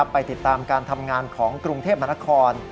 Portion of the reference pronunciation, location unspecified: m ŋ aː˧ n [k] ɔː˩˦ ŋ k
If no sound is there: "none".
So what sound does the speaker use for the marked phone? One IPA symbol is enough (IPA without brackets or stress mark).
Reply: kʰ